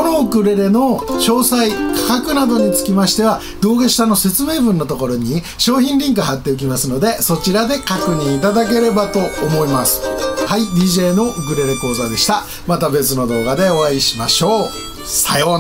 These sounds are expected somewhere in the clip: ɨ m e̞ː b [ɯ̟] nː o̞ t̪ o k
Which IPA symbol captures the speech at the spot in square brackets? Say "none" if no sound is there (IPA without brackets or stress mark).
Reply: ɯ̟̃